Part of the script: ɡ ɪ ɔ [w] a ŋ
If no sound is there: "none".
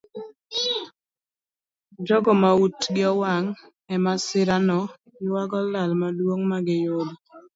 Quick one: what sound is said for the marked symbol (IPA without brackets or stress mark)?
w